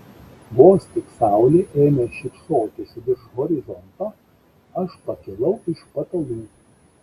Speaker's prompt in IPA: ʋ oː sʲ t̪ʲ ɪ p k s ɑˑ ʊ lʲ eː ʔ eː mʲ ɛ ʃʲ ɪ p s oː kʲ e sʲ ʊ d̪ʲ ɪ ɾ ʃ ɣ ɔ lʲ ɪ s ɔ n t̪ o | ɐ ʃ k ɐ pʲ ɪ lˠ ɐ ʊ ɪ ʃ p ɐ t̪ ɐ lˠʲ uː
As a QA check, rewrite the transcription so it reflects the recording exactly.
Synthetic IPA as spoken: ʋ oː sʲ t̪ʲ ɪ k s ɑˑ ʊ lʲ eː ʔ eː mʲ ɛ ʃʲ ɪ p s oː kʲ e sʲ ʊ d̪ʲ ɪ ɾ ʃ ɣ ɔ ɾʲ ɪ z ɔ n t̪ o | ɐ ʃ p ɐ kʲ ɪ lˠ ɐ ʊ ɪ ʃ p ɐ t̪ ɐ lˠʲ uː